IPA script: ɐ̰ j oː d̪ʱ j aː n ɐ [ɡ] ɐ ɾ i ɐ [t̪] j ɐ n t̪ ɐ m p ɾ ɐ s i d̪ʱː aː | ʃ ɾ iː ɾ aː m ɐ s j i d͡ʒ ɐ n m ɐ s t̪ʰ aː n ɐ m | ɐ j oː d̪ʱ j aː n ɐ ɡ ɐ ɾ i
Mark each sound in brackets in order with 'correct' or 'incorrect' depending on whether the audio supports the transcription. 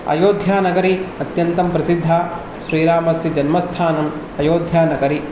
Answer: correct, correct

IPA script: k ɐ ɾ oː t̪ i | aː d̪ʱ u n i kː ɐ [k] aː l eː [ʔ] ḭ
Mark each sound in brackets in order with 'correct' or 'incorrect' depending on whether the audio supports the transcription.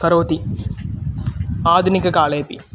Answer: correct, incorrect

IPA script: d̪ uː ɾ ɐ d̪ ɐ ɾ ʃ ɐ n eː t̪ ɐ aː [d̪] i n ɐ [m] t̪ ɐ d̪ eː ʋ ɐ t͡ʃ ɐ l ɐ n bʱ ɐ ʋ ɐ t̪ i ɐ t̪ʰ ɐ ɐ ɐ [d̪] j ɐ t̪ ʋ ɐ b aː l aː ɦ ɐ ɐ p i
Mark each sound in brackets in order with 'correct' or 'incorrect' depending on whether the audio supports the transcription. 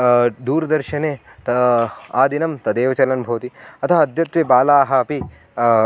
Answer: correct, correct, correct

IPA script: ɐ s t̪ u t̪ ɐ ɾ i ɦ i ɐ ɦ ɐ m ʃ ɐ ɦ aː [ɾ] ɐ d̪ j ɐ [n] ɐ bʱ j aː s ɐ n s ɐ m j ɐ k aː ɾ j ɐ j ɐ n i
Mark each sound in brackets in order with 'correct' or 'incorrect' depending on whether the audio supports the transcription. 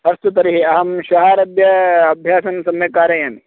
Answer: correct, incorrect

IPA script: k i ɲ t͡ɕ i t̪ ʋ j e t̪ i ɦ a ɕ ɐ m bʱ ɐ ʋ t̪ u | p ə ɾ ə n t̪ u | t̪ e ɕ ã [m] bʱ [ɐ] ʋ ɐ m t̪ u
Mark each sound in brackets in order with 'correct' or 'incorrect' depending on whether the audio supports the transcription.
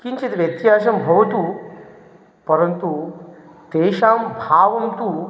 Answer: correct, incorrect

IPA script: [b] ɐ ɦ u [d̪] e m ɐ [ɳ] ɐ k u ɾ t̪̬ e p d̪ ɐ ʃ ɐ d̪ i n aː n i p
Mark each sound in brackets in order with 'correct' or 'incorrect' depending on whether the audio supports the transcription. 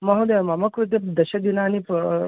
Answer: incorrect, correct, incorrect

